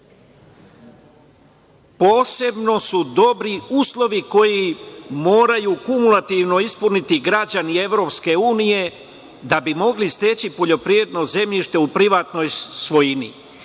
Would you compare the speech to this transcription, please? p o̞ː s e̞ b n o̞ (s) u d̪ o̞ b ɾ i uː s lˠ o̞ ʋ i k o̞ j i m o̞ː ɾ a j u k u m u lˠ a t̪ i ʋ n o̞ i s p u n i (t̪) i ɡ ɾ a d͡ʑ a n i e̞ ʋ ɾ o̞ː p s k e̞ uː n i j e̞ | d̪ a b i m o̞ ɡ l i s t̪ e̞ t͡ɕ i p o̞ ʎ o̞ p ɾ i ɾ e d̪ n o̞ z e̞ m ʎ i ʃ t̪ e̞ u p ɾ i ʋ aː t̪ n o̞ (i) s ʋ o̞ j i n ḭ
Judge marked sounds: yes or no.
yes, yes, no

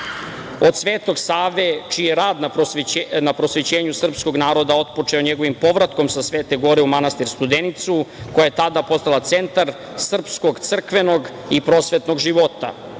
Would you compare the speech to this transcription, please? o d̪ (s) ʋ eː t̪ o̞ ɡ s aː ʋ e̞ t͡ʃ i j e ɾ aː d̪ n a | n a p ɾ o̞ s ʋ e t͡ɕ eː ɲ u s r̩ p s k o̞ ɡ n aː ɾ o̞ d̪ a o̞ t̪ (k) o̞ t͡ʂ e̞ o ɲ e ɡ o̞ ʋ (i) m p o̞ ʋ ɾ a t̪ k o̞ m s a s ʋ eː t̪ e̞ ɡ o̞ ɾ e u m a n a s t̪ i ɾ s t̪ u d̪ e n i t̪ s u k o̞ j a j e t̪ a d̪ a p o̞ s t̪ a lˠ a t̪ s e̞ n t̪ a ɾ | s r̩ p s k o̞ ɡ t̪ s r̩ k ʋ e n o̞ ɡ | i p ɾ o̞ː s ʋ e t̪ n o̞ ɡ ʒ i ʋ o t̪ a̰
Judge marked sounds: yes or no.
yes, no, yes

